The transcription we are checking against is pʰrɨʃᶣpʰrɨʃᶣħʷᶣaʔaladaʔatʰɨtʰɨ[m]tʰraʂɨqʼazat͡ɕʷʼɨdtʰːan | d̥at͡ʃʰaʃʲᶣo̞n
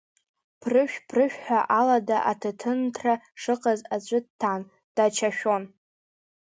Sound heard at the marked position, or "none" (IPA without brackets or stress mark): n